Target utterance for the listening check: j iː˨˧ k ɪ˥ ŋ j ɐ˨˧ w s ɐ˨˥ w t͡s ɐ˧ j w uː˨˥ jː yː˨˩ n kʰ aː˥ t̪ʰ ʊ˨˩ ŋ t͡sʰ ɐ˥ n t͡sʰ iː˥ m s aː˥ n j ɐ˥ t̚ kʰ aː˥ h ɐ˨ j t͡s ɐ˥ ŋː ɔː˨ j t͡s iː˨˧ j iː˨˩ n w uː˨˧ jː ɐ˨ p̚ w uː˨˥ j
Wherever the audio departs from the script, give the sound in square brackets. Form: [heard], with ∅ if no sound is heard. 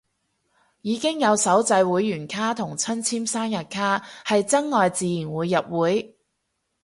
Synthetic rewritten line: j iː˨˧ k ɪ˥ ŋ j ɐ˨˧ w s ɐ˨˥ w t͡s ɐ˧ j w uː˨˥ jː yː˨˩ n kʰ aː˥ t̪ʰ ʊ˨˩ ŋ t͡sʰ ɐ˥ n t͡sʰ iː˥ m s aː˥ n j [ɐ˨] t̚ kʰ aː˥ h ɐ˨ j t͡s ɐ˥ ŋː ɔː˨ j t͡s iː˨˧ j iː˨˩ n w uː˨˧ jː ɐ˨ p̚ w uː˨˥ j